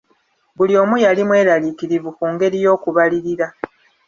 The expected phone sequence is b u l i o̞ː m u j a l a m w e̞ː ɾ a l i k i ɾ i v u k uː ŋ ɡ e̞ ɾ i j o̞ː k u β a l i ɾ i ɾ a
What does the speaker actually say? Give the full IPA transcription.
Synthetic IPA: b u l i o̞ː m u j a l i m w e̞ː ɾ a l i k i ɾ i v u k uː ŋ ɡ e̞ ɾ i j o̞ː k u β a l i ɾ i ɾ a